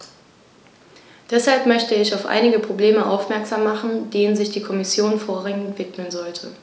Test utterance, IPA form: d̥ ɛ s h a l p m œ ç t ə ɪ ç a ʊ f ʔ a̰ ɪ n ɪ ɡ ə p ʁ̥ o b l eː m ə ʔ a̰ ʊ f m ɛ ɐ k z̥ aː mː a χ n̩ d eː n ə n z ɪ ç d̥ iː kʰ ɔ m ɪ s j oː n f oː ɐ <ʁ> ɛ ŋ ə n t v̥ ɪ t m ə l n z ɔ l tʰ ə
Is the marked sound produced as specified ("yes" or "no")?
yes